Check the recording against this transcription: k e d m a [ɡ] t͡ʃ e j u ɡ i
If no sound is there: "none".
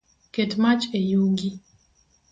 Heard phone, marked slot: none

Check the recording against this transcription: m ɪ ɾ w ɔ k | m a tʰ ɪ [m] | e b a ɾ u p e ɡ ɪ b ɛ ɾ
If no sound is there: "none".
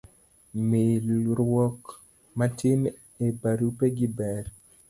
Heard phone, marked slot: m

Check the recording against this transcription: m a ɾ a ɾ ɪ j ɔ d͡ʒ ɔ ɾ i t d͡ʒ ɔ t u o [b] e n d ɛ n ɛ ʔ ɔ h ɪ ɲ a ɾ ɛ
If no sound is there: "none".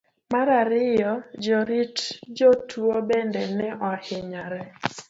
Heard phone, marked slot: b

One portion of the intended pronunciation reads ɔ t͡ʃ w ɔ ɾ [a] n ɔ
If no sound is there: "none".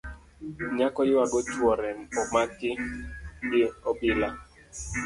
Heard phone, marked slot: ɛ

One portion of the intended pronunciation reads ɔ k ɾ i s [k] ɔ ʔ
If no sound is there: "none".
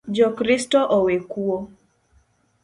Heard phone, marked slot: t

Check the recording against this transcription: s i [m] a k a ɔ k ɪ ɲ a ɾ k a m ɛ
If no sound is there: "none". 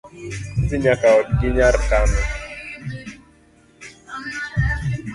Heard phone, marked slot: ɲ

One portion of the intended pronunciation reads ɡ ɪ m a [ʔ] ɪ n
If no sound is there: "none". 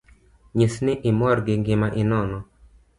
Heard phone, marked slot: ʔ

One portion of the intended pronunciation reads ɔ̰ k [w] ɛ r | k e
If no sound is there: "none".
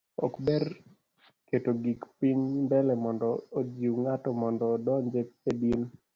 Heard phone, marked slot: b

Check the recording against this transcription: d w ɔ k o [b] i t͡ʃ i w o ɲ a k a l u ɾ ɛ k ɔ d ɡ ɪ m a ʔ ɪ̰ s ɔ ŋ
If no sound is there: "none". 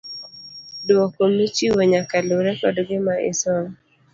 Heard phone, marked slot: m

